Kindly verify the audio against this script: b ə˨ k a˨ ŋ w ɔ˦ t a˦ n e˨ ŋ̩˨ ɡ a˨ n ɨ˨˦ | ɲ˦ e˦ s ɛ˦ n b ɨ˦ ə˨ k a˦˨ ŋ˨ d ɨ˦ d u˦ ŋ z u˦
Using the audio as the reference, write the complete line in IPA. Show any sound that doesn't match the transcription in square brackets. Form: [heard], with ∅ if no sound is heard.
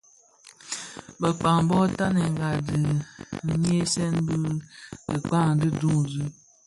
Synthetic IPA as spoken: b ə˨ [k͡p] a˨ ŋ [b] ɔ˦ t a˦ n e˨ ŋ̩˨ ɡ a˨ [d] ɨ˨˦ | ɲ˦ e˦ s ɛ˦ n b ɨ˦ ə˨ [k͡p] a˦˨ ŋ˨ d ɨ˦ d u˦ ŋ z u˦